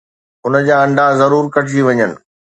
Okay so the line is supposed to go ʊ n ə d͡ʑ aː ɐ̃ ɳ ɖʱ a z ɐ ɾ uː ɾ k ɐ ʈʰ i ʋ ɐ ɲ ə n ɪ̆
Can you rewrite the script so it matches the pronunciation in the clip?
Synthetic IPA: ʊ n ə d͡ʑ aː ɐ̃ ɳ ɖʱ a z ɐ ɾ uː ɾ k ɐ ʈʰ i ʋ ɐ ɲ ə n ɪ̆